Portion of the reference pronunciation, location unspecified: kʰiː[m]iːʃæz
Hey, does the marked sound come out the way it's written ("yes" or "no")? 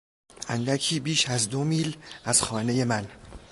no